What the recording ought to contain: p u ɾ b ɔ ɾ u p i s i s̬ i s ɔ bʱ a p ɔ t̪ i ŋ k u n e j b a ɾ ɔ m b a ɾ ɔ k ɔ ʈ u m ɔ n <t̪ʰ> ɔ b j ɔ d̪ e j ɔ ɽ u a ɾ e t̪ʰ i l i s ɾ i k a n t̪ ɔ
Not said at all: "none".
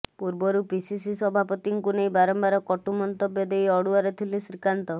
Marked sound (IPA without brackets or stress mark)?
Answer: t̪